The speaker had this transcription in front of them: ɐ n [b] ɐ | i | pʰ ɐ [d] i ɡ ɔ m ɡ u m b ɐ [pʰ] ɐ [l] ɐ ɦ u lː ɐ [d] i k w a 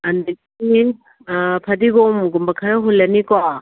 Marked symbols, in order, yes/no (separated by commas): no, yes, no, no, no